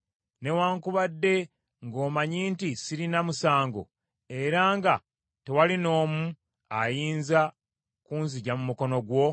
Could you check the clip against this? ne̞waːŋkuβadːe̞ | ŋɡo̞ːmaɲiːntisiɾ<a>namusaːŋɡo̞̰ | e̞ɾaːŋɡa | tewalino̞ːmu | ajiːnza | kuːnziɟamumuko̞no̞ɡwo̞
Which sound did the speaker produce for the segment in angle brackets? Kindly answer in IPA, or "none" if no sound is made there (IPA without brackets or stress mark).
i